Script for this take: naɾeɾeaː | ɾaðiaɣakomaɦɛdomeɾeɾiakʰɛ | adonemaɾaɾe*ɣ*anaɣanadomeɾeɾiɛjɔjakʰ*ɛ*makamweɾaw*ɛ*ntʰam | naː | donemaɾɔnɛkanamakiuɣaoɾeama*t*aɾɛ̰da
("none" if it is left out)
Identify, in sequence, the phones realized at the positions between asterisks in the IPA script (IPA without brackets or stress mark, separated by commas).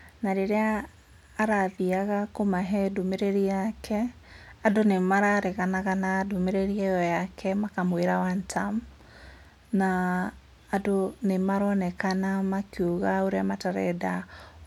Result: ɣ, ɛ, a, t